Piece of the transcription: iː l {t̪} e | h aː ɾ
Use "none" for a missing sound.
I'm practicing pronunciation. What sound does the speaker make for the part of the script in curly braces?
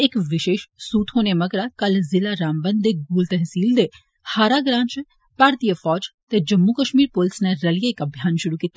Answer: d̪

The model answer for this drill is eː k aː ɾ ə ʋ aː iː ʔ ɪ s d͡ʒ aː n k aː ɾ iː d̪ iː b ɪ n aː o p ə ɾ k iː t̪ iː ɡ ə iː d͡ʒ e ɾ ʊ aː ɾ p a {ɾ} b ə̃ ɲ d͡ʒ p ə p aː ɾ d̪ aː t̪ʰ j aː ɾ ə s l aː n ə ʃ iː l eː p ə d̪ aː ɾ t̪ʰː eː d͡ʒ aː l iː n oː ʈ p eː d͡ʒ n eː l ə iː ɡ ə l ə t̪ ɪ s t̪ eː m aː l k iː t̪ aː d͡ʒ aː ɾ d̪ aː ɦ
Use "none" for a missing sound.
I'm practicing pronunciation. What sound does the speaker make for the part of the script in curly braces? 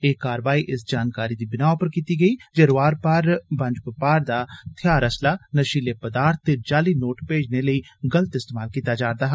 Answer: ɾ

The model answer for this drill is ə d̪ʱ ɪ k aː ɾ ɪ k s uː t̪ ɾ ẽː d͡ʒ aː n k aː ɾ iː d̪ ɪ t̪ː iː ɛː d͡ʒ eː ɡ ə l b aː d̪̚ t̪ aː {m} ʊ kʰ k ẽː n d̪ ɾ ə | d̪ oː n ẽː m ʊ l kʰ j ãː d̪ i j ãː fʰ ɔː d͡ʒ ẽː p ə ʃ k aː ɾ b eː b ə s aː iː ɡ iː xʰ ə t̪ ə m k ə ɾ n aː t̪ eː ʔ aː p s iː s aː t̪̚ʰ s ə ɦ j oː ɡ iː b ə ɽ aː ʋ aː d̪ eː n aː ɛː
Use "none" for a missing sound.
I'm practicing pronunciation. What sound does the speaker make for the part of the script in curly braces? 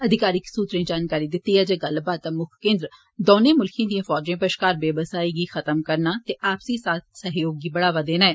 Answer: m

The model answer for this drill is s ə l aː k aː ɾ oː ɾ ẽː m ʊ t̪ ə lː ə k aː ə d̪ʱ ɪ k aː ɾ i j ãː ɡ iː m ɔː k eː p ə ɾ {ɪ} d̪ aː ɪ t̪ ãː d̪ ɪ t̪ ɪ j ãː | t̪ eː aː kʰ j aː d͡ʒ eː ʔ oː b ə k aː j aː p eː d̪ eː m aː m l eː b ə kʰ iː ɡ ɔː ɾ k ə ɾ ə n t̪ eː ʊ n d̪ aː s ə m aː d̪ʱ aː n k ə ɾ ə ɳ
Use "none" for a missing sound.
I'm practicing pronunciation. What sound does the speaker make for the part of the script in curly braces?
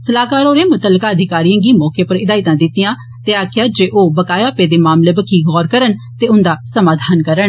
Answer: ɪ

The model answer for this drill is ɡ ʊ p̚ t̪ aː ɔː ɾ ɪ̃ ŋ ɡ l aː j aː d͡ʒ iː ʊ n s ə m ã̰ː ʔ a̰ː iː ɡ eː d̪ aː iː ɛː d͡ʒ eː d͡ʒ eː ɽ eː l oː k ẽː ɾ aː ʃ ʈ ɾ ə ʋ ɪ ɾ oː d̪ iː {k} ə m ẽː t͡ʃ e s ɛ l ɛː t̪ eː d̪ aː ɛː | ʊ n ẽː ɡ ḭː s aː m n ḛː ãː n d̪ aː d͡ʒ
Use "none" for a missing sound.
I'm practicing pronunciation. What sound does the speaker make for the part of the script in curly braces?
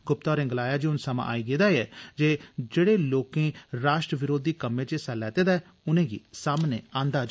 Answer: k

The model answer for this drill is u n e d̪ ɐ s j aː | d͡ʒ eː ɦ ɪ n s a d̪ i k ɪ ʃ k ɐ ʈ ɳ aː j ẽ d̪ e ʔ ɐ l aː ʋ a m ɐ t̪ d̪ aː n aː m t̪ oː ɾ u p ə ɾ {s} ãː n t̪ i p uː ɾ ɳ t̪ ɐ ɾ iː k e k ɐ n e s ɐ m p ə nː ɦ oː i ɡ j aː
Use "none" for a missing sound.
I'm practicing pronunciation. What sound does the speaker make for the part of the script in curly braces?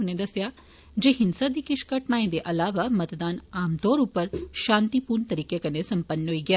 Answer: ʃ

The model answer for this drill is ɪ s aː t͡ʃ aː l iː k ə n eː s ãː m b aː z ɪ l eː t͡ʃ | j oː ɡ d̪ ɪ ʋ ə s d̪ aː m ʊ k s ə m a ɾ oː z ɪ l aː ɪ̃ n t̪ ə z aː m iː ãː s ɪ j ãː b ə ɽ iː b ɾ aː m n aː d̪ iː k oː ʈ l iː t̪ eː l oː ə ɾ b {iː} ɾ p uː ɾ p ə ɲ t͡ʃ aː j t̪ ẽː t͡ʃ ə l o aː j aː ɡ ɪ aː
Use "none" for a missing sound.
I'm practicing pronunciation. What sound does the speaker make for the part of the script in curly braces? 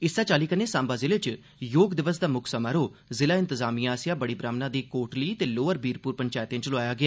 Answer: iː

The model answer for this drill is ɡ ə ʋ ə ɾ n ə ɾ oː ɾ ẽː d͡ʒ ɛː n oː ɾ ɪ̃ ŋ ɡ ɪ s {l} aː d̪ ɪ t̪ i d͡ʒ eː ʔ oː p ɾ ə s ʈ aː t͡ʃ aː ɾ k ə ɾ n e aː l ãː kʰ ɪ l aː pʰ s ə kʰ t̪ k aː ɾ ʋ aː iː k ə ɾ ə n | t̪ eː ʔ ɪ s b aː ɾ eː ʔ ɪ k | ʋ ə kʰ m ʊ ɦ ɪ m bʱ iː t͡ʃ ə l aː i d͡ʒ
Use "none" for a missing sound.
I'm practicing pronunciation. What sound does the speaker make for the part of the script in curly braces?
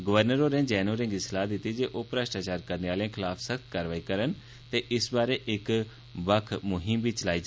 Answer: l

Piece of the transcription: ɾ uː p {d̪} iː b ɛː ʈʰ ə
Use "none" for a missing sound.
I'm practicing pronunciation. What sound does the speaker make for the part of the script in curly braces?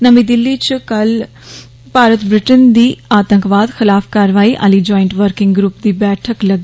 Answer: d̪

